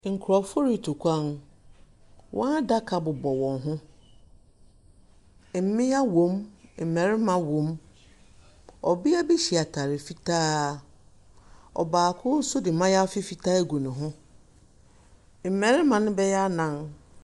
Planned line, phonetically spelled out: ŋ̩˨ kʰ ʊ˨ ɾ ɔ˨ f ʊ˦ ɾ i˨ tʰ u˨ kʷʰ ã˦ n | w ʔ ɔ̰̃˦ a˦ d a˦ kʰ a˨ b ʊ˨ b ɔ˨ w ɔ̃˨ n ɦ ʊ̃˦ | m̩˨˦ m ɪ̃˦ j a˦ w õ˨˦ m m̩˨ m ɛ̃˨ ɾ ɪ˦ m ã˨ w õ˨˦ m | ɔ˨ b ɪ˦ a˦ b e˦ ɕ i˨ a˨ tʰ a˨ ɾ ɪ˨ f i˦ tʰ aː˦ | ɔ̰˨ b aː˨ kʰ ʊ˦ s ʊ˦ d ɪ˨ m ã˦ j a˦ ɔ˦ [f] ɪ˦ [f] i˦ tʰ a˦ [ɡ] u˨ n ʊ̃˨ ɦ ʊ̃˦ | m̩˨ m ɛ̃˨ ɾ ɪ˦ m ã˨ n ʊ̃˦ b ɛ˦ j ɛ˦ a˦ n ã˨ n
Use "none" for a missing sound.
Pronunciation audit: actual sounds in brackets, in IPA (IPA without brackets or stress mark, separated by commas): f, f, ɡ